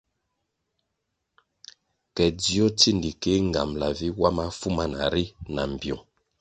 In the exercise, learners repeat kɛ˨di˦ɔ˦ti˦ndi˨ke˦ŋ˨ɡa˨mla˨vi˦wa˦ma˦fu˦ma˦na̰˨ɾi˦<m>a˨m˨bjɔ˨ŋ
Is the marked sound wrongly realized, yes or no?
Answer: yes